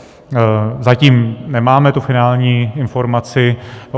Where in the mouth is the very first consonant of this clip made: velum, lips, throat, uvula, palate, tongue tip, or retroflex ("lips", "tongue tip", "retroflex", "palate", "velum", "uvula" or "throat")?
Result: tongue tip